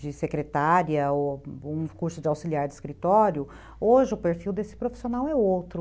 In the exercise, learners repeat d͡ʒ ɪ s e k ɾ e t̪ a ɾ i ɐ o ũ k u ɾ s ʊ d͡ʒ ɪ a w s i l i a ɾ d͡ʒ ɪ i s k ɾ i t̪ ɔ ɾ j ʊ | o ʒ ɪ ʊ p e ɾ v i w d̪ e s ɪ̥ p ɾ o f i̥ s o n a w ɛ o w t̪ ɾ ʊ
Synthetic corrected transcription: d͡ʒ ɪ s e k ɾ e t̪ a ɾ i ɐ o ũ k u ɾ s ʊ d͡ʒ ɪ a w s i l i a ɾ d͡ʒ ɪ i s k ɾ i t̪ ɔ ɾ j ʊ | o ʒ ɪ ʊ p e ɾ f i w d̪ e s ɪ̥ p ɾ o f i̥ s o n a w ɛ o w t̪ ɾ ʊ

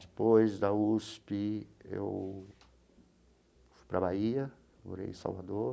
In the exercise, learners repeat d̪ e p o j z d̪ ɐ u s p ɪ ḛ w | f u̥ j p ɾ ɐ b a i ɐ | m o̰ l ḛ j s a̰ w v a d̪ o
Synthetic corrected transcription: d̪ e p o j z d̪ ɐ u s p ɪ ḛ w | f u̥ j p ɾ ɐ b a i ɐ | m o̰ ɾ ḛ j s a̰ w v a d̪ o

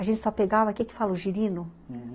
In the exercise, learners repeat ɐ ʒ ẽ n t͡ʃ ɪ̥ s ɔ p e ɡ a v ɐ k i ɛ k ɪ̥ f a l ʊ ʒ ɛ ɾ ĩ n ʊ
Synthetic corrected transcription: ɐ ʒ ẽ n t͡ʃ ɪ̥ s ɔ p e ɡ a v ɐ k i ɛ k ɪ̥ f a l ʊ ʒ i ɾ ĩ n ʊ

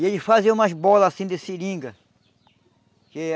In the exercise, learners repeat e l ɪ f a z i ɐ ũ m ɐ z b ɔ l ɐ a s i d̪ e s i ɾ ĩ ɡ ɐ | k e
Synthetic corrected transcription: e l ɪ f a z i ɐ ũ m ɐ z b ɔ l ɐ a s ĩ d̪ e s i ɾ ĩ ɡ ɐ | k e

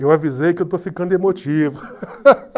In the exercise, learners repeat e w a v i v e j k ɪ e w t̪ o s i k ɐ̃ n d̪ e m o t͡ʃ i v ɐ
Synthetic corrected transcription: e w a v i z e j k ɪ e w t̪ o f i k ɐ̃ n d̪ e m o t͡ʃ i v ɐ

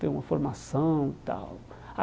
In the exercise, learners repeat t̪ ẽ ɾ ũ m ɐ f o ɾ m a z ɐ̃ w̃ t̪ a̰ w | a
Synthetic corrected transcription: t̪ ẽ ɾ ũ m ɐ f o ɾ m a s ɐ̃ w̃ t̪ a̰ w | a

